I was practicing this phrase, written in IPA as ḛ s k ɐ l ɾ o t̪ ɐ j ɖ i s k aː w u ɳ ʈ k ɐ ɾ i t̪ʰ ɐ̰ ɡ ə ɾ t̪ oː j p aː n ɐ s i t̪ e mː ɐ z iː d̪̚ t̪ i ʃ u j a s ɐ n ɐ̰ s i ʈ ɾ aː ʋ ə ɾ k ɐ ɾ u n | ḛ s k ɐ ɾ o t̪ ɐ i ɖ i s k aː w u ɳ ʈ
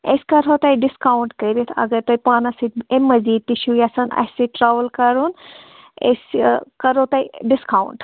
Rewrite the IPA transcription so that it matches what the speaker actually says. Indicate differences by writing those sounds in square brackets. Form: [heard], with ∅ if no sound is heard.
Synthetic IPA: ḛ s k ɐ [∅] ɾ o t̪ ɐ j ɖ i s k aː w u ɳ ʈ k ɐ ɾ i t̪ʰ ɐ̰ ɡ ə ɾ t̪ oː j p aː n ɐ s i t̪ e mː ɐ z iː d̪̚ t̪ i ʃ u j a s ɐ n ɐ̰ s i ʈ ɾ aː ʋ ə [l] k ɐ ɾ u n | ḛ s k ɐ ɾ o t̪ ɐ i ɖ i s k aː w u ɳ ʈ